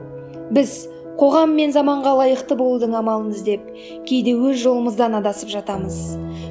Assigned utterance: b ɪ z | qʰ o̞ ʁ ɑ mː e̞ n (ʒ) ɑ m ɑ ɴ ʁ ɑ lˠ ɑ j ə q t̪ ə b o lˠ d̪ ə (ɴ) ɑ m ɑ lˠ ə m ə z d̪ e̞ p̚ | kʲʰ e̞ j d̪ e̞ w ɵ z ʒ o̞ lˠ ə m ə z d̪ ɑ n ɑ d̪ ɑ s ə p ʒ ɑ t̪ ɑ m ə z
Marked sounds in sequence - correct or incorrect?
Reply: incorrect: z, correct

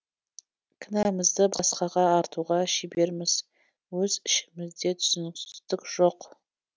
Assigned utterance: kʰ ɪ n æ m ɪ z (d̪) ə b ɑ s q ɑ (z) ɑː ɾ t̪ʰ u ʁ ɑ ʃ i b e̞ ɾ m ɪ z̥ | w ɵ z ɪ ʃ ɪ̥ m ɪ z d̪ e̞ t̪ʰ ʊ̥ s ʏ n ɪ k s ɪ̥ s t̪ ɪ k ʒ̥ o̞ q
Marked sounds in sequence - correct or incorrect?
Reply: correct, incorrect: ʁ

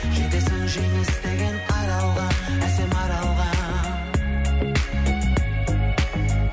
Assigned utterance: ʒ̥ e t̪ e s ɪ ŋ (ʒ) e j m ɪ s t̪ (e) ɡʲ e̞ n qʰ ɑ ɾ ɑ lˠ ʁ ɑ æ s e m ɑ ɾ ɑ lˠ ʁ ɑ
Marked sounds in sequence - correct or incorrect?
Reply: correct, correct

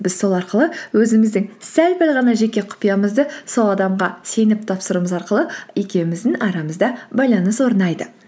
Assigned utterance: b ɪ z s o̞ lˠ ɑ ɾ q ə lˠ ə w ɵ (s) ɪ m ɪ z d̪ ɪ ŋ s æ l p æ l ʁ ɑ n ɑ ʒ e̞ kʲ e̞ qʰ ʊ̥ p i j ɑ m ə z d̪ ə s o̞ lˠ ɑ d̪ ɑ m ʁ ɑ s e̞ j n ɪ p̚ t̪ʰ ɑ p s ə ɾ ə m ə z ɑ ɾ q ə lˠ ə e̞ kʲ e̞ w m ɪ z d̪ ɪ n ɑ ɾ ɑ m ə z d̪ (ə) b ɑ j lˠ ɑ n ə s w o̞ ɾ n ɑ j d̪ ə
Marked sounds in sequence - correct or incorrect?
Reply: incorrect: z, incorrect: ɑ

